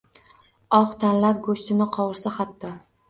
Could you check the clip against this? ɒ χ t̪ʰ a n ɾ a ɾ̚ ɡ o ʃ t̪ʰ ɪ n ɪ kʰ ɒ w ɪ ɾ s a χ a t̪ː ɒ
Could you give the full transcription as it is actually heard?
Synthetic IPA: ɒ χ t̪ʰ a n l a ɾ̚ ɡ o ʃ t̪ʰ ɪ n ɪ qʰ ɒ w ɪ ɾ s a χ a t̪ː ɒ

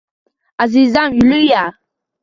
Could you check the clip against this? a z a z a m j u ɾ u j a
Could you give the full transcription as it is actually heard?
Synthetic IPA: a z i z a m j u l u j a

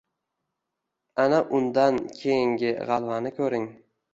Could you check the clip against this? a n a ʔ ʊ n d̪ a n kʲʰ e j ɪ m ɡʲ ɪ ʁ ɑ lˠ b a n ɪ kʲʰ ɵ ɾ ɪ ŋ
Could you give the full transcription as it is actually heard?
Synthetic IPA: a n a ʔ ʊ n d̪ a n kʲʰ e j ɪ ŋ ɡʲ ɪ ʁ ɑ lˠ v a n ɪ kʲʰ ɵ ɾ ɪ ŋ

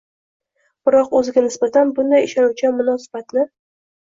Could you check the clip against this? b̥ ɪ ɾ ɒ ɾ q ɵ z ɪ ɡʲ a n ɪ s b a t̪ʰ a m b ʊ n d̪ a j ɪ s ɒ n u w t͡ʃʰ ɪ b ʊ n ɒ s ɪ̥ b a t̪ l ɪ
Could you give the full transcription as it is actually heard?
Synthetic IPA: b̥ ɪ ɾ ɒ q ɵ z ɪ ɡʲ a n ɪ s b a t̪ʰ a n b ʊ n d̪ a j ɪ ʃ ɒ n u w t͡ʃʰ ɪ m ʊ n ɒ s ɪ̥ b a t̪ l ɪ

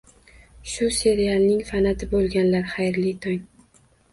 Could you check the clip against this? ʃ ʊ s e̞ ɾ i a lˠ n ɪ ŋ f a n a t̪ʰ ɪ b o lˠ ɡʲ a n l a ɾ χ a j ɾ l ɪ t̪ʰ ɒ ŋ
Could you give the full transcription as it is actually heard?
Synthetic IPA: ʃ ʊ s e̞ ɾ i a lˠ n ɪ ŋ f a n a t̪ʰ ɪ b o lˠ ɡʲ a n l a ɾ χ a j ɾ l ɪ t̪ʰ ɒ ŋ

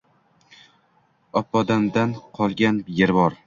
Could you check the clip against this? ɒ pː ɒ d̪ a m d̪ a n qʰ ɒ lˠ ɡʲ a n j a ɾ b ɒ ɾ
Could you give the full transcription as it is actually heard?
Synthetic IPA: ɒ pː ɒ d̪ a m d̪ a n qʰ ɒ lˠ ɡʲ a n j e ɾ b ɒ ɾ

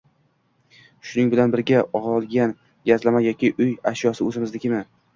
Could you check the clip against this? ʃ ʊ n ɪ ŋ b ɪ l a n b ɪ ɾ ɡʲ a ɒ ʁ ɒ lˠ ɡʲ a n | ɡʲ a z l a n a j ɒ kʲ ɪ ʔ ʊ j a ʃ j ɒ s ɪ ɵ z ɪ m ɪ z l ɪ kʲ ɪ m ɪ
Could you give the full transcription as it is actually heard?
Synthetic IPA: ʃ ʊ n ɪ ŋ b ɪ l a n b ɪ ɾ ɡʲ a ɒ ʁ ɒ lˠ ɡʲ a n | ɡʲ a z l a m a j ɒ kʲ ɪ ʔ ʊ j a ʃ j ɒ s ɪ ɵ z ɪ m ɪ z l ɪ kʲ ɪ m ɪ

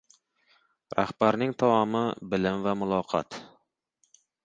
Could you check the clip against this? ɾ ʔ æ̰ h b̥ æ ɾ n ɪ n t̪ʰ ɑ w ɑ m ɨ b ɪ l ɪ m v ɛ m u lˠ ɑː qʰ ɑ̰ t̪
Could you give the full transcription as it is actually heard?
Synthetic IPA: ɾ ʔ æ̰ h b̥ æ ɾ n ɪ ŋ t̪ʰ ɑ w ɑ m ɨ b ɪ l ɪ m v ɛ m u lˠ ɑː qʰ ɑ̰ t̪

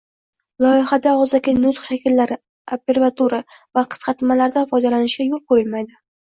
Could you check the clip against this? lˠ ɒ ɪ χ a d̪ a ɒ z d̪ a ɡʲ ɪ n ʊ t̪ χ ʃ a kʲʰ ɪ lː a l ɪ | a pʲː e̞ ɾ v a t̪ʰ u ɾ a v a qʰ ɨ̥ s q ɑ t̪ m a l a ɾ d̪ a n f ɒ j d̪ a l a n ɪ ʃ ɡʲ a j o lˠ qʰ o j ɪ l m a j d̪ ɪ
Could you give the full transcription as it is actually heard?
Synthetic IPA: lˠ ɒ ɪ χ a d̪ a ɒ z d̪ a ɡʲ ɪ n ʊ t̪ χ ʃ a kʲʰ ɪ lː a ɾ ɪ | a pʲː e̞ ɾ v a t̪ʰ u ɾ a v a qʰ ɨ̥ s q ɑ t̪ m a l a ɾ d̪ a n f ɒ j d̪ a l a n ɪ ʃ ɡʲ a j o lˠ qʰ o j ɪ l m a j d̪ ɪ

